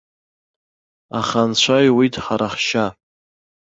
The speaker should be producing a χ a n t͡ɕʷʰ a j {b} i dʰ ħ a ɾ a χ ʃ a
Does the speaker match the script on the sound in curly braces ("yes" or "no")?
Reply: no